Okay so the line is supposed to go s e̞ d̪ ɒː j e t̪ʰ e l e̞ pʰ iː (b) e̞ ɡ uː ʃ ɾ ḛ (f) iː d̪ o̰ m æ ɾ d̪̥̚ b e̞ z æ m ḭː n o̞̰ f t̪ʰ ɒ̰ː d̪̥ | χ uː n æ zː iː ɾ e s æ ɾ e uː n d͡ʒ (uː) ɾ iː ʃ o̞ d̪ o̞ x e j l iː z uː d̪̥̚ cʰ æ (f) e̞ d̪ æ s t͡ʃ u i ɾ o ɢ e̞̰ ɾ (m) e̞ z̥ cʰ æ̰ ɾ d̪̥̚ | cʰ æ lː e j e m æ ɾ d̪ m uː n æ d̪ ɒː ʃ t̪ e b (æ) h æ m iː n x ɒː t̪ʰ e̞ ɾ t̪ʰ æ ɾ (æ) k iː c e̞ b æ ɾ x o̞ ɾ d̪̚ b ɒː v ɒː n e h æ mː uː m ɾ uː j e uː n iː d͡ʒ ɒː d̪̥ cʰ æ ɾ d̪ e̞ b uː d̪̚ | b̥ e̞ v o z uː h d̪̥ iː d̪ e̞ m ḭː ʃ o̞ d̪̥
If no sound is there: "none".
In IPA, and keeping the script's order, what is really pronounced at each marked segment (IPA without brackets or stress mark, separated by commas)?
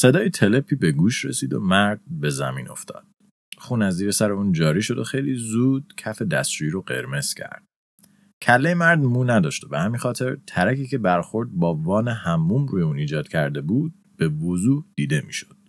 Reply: b, s, ɒː, f, m, e, æ